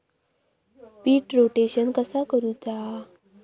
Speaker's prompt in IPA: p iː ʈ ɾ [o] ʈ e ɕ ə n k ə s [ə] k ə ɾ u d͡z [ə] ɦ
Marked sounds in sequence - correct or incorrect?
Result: correct, incorrect: a, incorrect: a

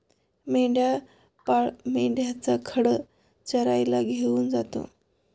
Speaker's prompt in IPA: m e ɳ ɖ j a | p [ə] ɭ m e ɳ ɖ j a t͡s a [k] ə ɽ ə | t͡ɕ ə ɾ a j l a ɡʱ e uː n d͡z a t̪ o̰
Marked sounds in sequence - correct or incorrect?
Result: incorrect: a, incorrect: kʰ

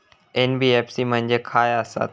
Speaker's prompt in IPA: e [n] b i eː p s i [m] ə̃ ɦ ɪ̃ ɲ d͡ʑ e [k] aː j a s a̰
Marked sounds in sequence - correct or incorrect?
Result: correct, correct, incorrect: kʰ

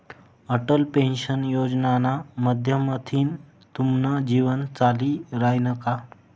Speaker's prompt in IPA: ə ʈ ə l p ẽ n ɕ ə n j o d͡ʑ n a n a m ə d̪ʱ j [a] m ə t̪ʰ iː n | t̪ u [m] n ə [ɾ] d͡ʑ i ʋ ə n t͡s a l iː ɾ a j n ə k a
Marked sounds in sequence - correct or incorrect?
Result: incorrect: ə, correct, incorrect: none

